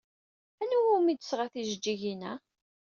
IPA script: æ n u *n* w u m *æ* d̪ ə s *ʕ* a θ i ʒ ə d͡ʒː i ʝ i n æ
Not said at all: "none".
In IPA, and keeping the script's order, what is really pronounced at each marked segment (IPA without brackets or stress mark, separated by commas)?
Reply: none, i, ʁ